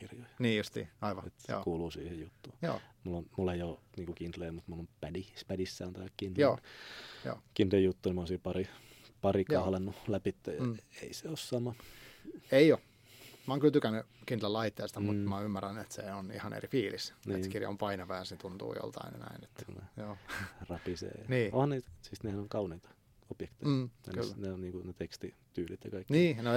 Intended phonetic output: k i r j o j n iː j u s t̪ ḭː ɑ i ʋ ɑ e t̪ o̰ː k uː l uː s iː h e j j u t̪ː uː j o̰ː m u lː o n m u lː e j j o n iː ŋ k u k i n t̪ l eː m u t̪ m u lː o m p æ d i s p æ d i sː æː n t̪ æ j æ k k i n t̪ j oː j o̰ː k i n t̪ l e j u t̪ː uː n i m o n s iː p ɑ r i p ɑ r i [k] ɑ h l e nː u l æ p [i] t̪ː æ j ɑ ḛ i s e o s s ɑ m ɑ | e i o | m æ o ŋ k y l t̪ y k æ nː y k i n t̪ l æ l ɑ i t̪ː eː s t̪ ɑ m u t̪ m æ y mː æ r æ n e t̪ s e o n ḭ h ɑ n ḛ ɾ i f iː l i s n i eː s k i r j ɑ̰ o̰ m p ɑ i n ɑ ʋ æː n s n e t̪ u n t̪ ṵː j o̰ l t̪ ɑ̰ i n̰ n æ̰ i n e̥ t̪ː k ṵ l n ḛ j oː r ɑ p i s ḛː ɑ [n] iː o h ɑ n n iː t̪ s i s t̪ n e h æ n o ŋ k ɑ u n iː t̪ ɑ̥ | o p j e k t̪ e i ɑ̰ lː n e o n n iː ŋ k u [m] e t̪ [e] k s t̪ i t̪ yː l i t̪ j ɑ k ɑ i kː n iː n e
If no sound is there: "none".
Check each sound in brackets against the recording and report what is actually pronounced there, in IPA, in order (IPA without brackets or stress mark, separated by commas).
k, i, n, n, e